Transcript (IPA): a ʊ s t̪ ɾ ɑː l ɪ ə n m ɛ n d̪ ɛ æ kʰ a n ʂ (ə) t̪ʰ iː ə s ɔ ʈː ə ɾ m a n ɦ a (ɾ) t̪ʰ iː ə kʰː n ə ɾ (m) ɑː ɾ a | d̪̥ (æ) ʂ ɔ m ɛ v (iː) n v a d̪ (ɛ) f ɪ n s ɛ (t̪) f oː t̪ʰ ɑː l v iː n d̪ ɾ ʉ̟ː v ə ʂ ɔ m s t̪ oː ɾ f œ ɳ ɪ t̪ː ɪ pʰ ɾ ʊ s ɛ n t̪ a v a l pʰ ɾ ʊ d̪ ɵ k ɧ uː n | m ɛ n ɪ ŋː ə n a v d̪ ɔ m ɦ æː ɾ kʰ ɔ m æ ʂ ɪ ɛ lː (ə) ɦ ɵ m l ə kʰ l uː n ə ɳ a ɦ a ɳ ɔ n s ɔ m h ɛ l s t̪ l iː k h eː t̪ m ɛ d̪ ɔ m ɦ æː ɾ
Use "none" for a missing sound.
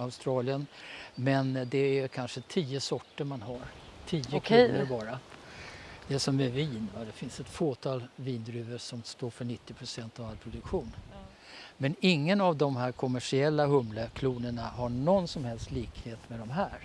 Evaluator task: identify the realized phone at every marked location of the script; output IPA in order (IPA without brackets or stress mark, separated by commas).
ə, ɾ, b, ɛ, iː, ɛ, t̪, a